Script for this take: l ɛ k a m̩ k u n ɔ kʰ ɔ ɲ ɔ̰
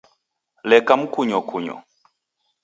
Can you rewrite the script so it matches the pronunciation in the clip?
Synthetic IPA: l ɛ k a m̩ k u ɲ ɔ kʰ u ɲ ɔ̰